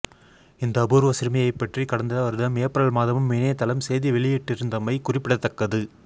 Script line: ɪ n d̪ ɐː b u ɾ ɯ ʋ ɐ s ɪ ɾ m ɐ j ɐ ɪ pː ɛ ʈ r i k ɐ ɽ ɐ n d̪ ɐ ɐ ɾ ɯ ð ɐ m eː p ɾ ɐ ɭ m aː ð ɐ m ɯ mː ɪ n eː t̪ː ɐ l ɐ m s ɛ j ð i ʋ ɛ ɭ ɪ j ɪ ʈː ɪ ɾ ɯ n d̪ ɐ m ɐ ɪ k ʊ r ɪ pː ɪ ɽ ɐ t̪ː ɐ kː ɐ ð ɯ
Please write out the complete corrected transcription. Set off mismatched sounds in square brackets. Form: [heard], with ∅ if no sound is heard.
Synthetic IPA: ɪ n d̪ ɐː b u ɾ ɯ ʋ ɐ s ɪ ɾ m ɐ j ɐ ɪ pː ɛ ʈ r i k ɐ ɽ ɐ n d̪ ɐ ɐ ɾ ɯ ð ɐ m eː p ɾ ɐ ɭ m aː ð ɐ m ɯ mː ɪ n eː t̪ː ɐ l ɐ m s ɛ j ð i ʋ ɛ ɭ ɪ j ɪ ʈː ɪ ɾ ɯ n d̪ ɐ m ɐ ɪ k ʊ r ɪ pː ɪ ɽ ɐ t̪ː ɐ kː ɐ ð ɯ